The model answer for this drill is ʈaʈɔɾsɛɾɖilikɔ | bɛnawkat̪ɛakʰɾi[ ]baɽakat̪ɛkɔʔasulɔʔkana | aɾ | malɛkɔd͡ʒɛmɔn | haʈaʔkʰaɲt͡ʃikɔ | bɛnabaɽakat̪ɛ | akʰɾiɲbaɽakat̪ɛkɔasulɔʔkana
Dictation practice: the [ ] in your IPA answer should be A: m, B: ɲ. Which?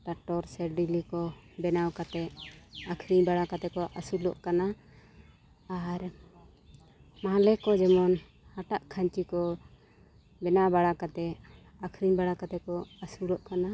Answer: B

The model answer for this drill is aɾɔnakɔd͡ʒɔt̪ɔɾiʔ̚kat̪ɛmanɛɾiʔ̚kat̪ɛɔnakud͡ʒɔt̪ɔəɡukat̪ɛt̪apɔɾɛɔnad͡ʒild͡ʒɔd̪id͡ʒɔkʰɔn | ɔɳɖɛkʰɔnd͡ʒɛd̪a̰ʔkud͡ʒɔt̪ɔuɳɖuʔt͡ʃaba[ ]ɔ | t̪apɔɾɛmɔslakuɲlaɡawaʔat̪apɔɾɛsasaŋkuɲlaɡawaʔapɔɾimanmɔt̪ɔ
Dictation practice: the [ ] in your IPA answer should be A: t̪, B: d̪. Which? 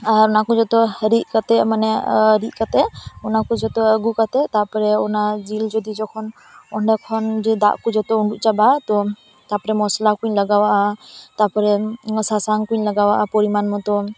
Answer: A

